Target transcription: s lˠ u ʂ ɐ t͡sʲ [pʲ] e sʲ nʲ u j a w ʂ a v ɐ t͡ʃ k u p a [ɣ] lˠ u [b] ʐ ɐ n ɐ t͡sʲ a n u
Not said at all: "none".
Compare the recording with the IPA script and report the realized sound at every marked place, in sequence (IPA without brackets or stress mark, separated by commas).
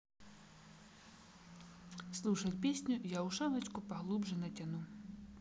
pʲ, ɣ, b